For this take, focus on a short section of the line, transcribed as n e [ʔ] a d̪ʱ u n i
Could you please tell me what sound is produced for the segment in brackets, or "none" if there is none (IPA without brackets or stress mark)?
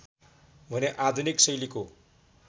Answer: ʔ